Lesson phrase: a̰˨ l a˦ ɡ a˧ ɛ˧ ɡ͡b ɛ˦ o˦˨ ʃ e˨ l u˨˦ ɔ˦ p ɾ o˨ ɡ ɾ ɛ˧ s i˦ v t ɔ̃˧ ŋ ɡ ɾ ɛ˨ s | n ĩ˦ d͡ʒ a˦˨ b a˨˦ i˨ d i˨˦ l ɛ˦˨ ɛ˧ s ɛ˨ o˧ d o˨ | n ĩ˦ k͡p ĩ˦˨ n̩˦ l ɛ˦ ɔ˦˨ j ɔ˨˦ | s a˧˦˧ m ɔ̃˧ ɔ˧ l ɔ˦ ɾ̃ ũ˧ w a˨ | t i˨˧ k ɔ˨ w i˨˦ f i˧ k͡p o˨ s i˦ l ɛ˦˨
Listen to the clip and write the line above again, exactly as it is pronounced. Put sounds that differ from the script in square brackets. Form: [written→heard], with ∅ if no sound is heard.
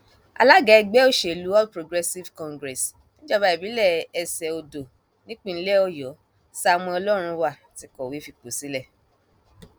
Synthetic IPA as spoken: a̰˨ l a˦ ɡ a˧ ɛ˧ ɡ͡b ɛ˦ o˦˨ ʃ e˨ l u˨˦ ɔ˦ p ɾ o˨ ɡ ɾ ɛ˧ s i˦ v [t→k] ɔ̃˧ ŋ ɡ ɾ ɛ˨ s | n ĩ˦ d͡ʒ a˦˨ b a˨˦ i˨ [d→b] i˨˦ l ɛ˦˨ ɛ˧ s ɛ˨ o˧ d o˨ | n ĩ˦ k͡p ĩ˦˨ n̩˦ l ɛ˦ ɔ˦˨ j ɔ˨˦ | s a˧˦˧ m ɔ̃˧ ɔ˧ l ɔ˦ ɾ̃ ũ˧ w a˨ | t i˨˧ k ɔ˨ w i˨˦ f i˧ k͡p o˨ s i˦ l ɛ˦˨